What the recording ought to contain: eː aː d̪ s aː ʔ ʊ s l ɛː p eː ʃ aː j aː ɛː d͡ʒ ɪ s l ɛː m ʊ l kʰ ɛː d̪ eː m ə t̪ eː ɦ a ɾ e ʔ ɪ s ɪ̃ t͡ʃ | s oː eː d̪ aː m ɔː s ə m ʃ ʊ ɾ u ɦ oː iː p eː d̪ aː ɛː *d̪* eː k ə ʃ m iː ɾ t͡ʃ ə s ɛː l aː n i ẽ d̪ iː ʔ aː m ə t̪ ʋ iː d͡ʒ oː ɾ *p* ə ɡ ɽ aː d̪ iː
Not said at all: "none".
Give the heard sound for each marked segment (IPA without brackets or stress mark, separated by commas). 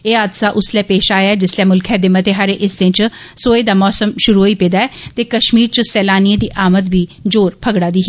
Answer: t̪, pʰ